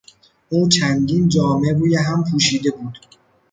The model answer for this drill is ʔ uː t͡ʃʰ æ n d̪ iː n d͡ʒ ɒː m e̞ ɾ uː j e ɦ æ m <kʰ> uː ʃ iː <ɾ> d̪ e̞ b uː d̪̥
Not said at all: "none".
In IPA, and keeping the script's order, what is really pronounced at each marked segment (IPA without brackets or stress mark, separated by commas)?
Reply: pʰ, none